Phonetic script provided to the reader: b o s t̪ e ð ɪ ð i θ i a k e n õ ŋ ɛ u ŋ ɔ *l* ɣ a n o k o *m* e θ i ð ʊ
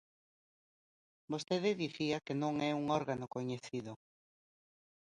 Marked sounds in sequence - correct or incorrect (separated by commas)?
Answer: incorrect, incorrect